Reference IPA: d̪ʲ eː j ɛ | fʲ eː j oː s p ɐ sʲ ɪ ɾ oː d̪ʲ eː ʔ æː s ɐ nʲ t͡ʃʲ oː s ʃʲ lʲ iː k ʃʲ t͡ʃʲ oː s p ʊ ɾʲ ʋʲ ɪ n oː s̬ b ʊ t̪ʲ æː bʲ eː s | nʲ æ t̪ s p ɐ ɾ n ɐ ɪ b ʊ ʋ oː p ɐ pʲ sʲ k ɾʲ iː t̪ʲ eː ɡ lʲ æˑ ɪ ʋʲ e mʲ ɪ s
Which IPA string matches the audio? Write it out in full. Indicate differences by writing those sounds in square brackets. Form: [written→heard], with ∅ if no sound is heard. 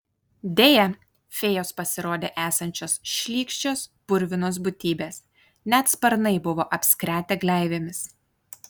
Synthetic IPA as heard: d̪ʲ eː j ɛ | fʲ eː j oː s p ɐ sʲ ɪ ɾ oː d̪ʲ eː ʔ æː s ɐ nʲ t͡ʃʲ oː s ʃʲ lʲ iː k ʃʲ t͡ʃʲ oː s p ʊ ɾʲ ʋʲ ɪ n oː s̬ b ʊ t̪ʲ [æː→iː] bʲ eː s | nʲ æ t̪ s p ɐ ɾ n ɐ ɪ b ʊ ʋ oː [p→ʔ] ɐ pʲ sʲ k ɾʲ [iː→æː] t̪ʲ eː ɡ lʲ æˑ ɪ ʋʲ e mʲ ɪ s